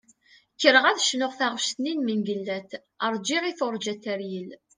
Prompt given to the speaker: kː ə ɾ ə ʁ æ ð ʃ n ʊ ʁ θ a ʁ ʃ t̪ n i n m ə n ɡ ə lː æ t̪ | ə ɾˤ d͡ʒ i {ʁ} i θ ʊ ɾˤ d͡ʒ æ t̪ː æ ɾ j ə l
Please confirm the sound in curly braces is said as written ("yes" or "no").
yes